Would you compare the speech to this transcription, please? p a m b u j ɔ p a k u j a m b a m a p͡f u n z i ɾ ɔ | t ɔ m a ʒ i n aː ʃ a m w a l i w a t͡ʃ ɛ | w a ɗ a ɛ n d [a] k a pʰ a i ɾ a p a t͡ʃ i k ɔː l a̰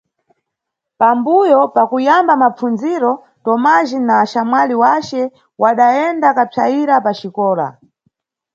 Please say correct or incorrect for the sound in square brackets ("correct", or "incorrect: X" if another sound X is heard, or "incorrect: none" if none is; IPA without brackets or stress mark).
correct